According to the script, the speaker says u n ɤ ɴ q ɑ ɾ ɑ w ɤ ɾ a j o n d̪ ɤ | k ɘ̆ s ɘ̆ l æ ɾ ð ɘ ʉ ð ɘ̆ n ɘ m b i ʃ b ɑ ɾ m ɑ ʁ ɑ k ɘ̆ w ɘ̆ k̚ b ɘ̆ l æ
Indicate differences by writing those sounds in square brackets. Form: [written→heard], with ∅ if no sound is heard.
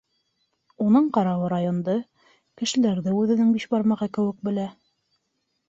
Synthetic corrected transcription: u n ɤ ɴ q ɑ ɾ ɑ w ɤ ɾ a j o n d̪ ɤ | k ɘ̆ [s→ʃ] ɘ̆ l æ ɾ ð ɘ ʉ ð ɘ̆ n ɘ [m→ŋ] b i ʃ b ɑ ɾ m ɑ ʁ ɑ k ɘ̆ w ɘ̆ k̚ b ɘ̆ l æ

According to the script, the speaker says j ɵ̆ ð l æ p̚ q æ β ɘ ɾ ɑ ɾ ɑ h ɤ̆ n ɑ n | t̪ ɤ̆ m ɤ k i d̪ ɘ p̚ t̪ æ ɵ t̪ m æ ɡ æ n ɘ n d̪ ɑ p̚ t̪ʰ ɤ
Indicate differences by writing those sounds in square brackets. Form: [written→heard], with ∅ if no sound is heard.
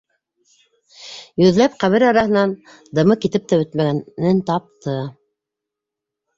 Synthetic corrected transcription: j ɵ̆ ð l æ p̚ q æ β ɘ ɾ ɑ ɾ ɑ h ɤ̆ n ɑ n | [t̪→d̪] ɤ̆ m ɤ k i [d̪→t̪] ɘ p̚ t̪ æ ɵ t̪ m æ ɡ æ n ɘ n [d̪→t̪] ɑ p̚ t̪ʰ ɤ

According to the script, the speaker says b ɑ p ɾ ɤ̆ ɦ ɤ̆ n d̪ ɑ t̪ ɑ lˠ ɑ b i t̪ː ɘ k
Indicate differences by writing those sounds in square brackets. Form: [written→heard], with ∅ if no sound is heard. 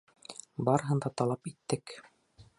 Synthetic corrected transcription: b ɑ [p→∅] ɾ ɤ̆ ɦ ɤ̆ n d̪ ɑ t̪ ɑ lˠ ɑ [b→p] i t̪ː ɘ k

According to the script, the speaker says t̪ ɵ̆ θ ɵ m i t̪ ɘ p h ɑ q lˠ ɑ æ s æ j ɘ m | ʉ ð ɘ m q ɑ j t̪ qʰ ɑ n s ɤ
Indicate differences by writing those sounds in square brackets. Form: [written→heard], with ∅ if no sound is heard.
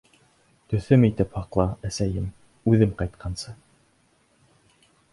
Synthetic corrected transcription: t̪ ɵ̆ θ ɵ m i t̪ ɘ p h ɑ q lˠ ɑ æ s æ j ɘ m | ʉ ð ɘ m q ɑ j t̪ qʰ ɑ n s ɤ

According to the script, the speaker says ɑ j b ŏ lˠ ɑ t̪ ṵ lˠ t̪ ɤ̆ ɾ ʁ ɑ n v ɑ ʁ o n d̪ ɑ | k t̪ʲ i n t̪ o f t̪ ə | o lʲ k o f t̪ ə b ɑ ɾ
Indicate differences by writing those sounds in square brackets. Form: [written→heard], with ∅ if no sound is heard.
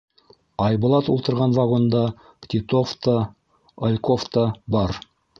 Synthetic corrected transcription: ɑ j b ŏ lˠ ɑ t̪ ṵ lˠ t̪ ɤ̆ ɾ ʁ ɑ n v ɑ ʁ o n d̪ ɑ | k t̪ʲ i [n→∅] t̪ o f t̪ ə | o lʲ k o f t̪ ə b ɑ ɾ

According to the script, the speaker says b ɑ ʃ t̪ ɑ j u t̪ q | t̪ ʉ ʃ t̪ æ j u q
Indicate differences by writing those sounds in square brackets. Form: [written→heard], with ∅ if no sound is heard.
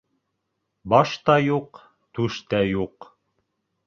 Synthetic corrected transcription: b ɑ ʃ t̪ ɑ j u [t̪→∅] q | t̪ ʉ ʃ t̪ æ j u q

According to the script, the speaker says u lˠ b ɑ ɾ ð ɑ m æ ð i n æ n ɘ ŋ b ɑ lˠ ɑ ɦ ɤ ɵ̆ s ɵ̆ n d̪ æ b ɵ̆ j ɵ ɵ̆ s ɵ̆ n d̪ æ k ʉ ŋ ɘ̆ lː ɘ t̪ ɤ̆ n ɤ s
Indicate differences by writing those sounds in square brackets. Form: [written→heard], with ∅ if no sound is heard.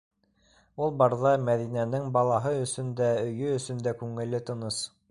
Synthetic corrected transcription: u lˠ b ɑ ɾ ð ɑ m æ ð i n æ n ɘ ŋ b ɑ lˠ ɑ ɦ ɤ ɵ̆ s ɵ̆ n d̪ æ [b→∅] ɵ̆ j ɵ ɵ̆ s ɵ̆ n d̪ æ k ʉ ŋ ɘ̆ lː ɘ t̪ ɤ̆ n ɤ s

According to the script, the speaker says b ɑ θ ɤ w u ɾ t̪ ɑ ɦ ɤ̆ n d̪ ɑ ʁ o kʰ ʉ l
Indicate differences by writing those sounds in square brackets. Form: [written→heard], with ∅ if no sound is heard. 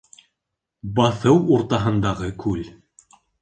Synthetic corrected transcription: b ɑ θ ɤ w u ɾ t̪ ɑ ɦ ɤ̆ n d̪ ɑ ʁ [o→ɤ] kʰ ʉ l

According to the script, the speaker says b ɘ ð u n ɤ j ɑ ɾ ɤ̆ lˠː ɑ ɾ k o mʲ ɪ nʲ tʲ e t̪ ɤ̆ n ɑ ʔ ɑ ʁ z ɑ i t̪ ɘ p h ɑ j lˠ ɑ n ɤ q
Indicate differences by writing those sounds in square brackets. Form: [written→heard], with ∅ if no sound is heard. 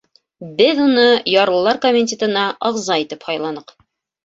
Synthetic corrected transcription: b ɘ ð u n ɤ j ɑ ɾ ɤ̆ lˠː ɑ ɾ k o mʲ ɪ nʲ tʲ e t̪ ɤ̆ n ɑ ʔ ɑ ʁ z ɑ i t̪ ɘ p h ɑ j lˠ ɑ n ɤ q

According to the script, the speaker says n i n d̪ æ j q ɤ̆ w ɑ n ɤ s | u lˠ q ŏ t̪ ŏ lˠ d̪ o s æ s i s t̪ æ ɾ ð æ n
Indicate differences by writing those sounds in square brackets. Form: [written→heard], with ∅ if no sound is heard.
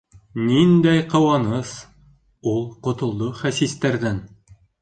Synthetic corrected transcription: n i n d̪ æ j q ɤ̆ w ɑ n ɤ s | u lˠ q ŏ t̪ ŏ lˠ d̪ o [s→χ] æ s i s t̪ æ ɾ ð æ n

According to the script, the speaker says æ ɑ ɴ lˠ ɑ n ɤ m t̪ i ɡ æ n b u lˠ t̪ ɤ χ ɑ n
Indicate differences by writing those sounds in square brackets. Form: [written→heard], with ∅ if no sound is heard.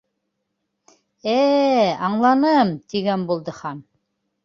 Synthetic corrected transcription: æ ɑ ɴ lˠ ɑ n ɤ m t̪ i ɡ æ n b u lˠ [t̪→d̪] ɤ χ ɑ n

